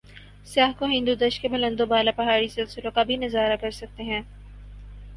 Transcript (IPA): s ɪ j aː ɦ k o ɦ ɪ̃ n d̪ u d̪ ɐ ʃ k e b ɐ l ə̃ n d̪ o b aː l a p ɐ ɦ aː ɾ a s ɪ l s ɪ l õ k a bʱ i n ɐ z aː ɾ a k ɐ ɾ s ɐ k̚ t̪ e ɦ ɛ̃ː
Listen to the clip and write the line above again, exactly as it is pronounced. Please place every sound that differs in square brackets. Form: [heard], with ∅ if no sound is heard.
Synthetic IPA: s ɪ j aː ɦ k o ɦ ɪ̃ n d̪ u d̪ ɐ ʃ k e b ɐ l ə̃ n d̪ o b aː l a p ɐ ɦ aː ɾ [i] s ɪ l s ɪ l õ k a bʱ i n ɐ z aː ɾ a k ɐ ɾ s ɐ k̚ t̪ e ɦ ɛ̃ː